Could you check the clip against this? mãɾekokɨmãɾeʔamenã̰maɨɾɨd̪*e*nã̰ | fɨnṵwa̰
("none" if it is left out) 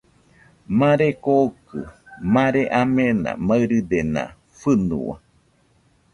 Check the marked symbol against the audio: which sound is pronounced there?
e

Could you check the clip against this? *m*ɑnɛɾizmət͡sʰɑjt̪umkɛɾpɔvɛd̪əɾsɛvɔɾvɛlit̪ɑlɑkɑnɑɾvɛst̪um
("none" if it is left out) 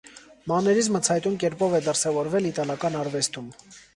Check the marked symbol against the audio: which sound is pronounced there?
m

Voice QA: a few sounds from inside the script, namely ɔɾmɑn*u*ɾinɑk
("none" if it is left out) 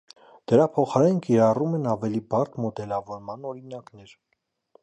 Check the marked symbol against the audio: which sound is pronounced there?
ɔ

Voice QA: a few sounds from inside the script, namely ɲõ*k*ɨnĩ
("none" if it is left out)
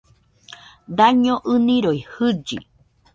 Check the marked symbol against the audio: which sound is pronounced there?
ʔ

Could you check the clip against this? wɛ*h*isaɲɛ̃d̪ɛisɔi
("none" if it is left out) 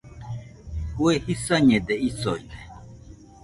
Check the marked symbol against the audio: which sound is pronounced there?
h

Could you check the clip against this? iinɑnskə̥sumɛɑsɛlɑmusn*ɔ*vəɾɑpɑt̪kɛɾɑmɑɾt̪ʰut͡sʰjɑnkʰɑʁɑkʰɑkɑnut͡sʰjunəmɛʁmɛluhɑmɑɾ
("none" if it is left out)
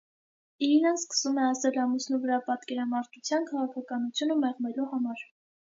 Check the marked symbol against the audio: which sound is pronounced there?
u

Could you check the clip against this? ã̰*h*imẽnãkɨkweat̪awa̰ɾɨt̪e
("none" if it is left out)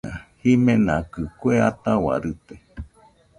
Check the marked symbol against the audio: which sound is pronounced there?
h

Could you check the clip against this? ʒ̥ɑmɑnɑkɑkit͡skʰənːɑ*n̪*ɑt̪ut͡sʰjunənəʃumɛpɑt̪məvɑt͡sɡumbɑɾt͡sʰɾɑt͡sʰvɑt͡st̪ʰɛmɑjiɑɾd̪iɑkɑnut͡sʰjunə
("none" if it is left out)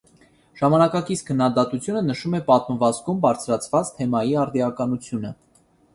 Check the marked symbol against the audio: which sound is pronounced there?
d̪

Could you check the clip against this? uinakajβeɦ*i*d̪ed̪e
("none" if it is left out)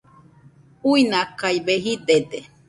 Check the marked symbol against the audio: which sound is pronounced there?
i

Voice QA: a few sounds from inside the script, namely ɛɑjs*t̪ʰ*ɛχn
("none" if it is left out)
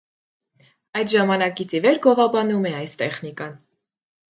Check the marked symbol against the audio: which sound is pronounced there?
t̪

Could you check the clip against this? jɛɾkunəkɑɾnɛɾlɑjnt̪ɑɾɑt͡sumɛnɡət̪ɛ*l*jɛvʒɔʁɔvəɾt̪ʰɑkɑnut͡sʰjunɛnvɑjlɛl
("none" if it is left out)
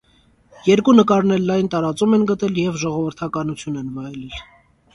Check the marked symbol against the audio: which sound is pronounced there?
l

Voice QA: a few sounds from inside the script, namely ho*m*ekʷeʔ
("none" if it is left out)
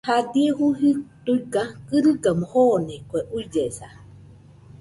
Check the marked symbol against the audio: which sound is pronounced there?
n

